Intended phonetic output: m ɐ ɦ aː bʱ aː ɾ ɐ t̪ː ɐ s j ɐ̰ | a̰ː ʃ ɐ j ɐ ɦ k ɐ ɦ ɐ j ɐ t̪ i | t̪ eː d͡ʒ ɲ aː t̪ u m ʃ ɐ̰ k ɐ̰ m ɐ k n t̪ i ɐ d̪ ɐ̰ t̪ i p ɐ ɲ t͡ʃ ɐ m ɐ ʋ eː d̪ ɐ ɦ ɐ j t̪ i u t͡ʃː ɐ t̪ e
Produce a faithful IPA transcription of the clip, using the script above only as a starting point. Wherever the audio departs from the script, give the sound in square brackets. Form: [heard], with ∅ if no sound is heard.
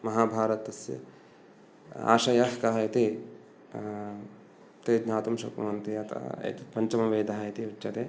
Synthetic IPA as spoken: m ɐ ɦ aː bʱ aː ɾ ɐ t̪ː ɐ s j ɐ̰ | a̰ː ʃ ɐ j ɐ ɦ k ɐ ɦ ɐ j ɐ t̪ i | t̪ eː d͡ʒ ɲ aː t̪ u m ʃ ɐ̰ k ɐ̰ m ɐ [∅] n t̪ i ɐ [t̪] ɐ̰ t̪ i p ɐ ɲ t͡ʃ ɐ m ɐ ʋ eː d̪ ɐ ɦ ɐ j t̪ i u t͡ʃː ɐ t̪ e